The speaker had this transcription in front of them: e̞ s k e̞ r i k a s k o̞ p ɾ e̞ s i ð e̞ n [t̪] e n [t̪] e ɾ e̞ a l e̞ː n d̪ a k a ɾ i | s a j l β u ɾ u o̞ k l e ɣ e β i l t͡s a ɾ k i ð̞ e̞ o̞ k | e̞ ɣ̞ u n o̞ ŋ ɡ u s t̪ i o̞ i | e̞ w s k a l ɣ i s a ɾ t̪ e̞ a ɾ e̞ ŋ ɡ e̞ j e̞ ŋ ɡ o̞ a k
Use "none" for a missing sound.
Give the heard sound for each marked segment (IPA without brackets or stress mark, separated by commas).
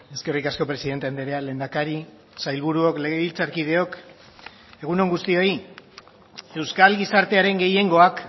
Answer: t̪, d̪